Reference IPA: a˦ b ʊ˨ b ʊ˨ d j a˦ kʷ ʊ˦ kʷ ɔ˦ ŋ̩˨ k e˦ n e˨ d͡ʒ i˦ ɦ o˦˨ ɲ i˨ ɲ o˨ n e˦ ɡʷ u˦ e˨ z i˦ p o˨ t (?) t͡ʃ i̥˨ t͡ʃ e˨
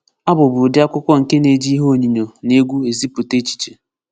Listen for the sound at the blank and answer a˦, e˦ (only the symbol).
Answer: e˦